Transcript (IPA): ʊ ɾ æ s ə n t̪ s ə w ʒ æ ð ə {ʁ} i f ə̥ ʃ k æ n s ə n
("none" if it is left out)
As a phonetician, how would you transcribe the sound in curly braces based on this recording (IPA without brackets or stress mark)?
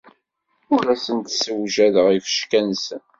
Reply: ʁ